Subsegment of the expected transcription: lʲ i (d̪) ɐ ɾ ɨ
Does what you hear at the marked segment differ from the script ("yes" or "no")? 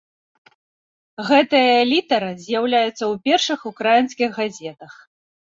yes